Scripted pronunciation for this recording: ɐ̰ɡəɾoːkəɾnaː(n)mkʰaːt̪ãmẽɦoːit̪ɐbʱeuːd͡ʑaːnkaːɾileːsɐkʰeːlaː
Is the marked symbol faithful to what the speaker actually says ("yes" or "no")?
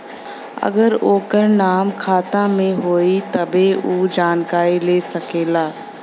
no